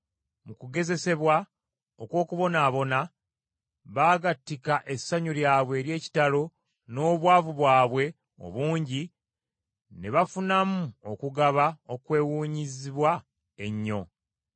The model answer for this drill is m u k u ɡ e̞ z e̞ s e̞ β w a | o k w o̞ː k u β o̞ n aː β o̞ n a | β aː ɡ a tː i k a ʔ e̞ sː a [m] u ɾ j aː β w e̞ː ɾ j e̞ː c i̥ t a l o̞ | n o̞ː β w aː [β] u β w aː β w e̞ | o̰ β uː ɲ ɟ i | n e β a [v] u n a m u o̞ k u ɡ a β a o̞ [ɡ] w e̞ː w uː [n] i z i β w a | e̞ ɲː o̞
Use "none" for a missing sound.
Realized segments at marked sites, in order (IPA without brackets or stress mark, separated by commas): ɲ, v, f, k, ɲ